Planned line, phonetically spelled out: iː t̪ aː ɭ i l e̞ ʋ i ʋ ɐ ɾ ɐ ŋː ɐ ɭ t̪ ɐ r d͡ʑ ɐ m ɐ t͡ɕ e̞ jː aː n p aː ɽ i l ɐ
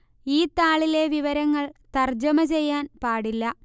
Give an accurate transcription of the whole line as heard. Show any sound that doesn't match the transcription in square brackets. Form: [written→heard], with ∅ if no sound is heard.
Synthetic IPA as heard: iː t̪ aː ɭ i l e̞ ʋ i ʋ ɐ ɾ ɐ ŋː ɐ ɭ t̪ ɐ r d͡ʑ ɐ m ɐ t͡ɕ e̞ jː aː n p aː ɽ i [l→lː] ɐ